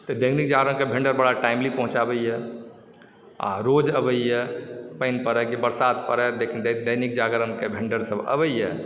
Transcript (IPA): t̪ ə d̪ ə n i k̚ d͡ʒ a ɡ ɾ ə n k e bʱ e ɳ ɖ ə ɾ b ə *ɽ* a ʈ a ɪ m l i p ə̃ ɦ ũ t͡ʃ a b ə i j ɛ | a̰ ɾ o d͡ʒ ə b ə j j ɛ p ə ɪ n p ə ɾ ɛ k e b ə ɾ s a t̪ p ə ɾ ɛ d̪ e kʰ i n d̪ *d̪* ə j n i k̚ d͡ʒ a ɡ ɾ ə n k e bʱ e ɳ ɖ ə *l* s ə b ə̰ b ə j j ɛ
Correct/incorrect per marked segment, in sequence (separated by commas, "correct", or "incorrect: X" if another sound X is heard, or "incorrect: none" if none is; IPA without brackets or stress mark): correct, correct, incorrect: ɾ